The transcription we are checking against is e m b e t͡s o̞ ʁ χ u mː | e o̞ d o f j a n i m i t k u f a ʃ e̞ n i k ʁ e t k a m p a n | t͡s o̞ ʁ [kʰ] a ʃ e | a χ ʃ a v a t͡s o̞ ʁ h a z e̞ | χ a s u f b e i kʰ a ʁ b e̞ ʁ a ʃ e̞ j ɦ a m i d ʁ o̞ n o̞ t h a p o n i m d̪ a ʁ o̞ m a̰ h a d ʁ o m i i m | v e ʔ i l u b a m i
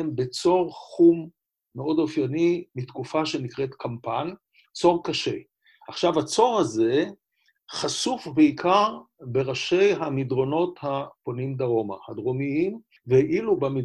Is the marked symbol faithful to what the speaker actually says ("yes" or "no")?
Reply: no